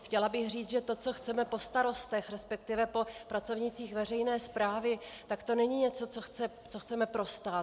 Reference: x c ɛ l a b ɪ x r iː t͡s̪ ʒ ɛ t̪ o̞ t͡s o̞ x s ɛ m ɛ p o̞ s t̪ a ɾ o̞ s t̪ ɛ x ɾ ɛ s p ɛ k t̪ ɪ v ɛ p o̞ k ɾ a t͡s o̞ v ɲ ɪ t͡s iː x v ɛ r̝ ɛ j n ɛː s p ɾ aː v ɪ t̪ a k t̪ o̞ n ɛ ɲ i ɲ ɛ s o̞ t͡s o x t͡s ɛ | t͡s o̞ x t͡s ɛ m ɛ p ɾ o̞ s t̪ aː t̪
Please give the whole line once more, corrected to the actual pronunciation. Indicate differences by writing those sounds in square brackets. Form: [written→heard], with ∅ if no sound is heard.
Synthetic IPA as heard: x c ɛ l a b ɪ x r iː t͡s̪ ʒ ɛ t̪ o̞ t͡s o̞ x [s→t͡s] ɛ m ɛ p o̞ s t̪ a ɾ o̞ s t̪ ɛ x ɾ ɛ s p ɛ k t̪ ɪ v ɛ p o̞ [k→p] ɾ a t͡s o̞ v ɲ ɪ t͡s iː x v ɛ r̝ ɛ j n ɛː s p ɾ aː v ɪ t̪ a k t̪ o̞ n ɛ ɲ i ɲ ɛ [s→t͡s] o̞ t͡s o x t͡s ɛ | t͡s o̞ x t͡s ɛ m ɛ p ɾ o̞ s t̪ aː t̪